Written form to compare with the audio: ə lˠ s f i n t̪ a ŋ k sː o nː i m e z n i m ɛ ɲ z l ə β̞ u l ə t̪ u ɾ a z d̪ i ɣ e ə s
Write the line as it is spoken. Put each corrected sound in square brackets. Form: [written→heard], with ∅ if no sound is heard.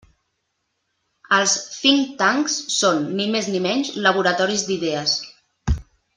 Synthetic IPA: ə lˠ s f i [n→ŋ] t̪ a ŋ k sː o nː i m e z n i m ɛ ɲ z l ə β̞ u [l→ɾ] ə t̪ [u→ɔ] ɾ [a→i] z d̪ i [ɣ→ð] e ə s